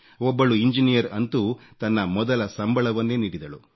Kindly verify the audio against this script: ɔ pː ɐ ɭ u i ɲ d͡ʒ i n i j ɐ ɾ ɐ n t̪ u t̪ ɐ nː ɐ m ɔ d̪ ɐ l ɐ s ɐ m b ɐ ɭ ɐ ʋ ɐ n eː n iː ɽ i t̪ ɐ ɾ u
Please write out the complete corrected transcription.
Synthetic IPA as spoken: ɔ bː ɐ ɭ u i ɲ d͡ʒ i n i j ɐ ɾ ɐ n t̪ u t̪ ɐ nː ɐ m ɔ d̪ ɐ l ɐ s ɐ m b ɐ ɭ ɐ ʋ ɐ nː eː n iː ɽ i d̪ ɐ ɭ u